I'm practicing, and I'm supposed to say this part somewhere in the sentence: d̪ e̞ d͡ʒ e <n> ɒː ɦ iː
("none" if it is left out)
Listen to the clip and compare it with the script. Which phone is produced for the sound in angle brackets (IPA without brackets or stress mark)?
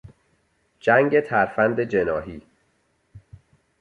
n